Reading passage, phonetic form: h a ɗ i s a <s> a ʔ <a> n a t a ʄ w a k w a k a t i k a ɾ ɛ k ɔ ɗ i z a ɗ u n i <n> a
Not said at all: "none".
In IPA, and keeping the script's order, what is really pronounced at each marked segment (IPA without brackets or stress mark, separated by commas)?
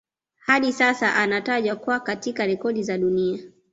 s, a, none